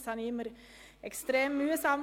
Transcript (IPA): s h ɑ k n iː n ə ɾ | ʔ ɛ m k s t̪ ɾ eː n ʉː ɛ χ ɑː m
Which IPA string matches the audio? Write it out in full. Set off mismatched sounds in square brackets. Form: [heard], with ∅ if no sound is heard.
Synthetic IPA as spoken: s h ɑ [∅] n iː [m] ə ɾ | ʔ ɛ [∅] k s t̪ ɾ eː [m] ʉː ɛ [s] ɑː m